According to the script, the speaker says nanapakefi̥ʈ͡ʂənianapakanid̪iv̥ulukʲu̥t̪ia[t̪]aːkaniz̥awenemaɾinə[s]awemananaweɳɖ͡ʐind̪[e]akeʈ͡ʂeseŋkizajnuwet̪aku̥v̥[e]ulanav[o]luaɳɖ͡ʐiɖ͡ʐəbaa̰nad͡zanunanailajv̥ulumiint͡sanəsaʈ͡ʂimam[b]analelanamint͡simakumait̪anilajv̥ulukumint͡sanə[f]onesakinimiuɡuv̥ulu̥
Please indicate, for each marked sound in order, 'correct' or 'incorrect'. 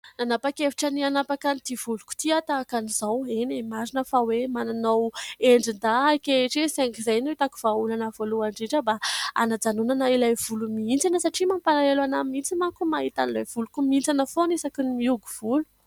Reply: correct, incorrect: f, incorrect: a, incorrect: a, correct, incorrect: p, correct

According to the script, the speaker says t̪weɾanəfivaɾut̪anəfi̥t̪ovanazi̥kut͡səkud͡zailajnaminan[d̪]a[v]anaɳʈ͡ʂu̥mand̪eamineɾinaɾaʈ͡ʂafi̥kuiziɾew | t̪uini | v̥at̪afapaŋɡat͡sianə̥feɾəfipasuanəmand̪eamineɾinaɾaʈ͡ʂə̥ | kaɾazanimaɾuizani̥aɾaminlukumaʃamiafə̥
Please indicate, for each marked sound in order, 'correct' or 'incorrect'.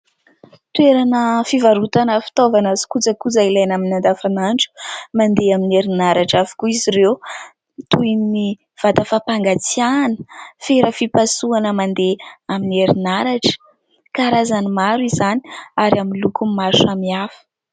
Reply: correct, incorrect: f

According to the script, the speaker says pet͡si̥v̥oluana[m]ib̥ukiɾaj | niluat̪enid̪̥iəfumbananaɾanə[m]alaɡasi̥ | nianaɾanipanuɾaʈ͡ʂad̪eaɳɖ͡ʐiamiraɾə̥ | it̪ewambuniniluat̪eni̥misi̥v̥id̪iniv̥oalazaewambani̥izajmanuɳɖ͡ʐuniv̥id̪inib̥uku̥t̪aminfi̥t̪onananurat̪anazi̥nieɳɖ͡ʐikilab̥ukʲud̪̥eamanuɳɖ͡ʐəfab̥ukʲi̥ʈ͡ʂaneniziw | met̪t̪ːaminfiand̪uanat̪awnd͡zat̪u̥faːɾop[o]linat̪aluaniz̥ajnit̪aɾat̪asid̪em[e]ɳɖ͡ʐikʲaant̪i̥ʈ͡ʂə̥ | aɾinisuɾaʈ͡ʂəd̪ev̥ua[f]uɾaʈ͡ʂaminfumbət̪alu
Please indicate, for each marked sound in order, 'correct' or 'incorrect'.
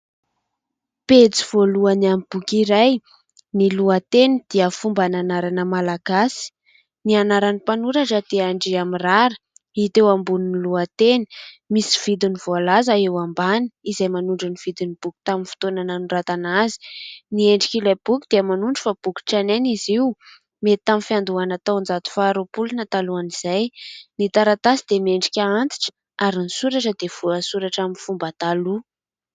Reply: correct, correct, incorrect: u, correct, incorrect: s

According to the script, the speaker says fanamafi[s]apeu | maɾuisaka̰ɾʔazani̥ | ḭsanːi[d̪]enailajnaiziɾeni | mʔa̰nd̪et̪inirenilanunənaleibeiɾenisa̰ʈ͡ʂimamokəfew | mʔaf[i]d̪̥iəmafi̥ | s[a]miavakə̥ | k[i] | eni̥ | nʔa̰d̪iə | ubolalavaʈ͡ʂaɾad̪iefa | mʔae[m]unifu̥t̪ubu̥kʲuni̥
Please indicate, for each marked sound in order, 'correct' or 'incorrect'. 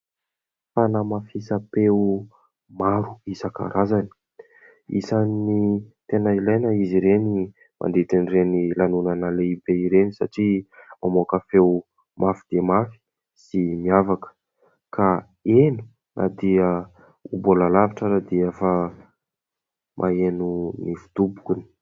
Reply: correct, incorrect: t̪, correct, incorrect: i, incorrect: a, incorrect: n

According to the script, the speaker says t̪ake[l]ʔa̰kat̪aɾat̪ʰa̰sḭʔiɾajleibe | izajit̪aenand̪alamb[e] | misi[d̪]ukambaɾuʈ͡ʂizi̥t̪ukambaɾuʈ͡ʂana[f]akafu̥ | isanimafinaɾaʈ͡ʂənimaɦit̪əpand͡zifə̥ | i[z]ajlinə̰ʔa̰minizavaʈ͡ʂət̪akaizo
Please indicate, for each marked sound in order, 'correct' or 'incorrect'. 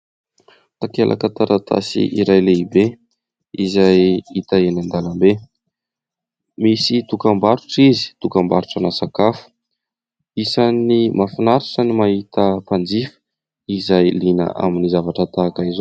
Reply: correct, correct, incorrect: t̪, incorrect: s, correct

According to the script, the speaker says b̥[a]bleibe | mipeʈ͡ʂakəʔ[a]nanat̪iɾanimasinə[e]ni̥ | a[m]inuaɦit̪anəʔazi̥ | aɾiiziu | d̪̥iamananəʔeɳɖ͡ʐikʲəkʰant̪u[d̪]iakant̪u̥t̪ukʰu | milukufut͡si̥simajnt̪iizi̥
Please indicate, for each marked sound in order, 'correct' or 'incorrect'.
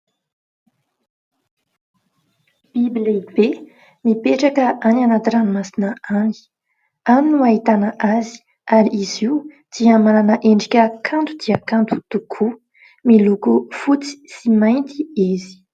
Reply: incorrect: i, correct, incorrect: a, correct, correct

